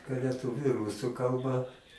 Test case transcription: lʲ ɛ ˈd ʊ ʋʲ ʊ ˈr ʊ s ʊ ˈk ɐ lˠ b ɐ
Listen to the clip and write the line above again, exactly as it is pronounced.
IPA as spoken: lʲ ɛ ˈt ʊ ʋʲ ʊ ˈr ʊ s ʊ ˈk ɐ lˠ b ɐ